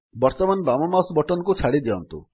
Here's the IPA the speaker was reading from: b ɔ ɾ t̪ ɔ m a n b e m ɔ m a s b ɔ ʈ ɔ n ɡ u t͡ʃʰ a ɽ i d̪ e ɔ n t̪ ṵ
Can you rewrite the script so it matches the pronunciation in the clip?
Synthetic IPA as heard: b ɔ ɾ t̪ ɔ m a n b a m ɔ m a s b ɔ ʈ ɔ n k u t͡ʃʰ a ɽ i d̪ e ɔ n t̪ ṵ